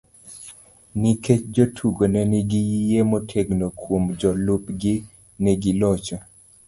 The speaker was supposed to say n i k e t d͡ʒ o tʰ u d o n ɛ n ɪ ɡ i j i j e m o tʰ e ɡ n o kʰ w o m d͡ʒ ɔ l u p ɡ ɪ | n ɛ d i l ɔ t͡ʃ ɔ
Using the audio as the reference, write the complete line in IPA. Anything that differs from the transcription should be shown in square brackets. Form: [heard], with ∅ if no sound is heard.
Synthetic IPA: n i k e [t͡ʃ] d͡ʒ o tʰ u [ɡ] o n ɛ n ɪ ɡ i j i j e m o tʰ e ɡ n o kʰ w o m d͡ʒ ɔ l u p ɡ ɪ | n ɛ [ɡ] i l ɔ t͡ʃ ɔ